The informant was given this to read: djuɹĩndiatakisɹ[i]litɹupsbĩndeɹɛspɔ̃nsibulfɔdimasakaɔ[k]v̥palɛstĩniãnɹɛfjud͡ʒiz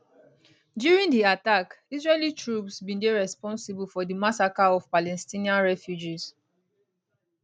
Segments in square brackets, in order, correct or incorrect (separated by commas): incorrect, incorrect